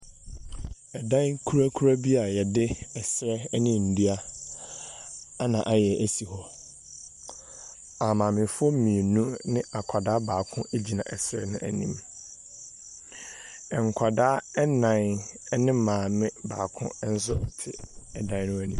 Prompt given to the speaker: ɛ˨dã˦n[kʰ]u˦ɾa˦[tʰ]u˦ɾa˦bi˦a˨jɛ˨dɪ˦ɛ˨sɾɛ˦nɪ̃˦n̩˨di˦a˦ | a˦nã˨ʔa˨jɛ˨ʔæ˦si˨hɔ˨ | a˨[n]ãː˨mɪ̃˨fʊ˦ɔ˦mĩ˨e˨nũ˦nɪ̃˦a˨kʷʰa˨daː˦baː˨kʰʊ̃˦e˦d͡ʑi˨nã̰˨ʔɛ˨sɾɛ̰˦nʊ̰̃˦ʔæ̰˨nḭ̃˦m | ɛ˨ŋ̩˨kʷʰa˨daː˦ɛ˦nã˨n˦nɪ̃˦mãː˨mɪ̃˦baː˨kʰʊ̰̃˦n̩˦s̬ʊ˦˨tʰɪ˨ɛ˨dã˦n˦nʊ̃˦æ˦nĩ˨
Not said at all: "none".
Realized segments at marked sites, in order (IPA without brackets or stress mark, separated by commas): kʰ, kʰ, m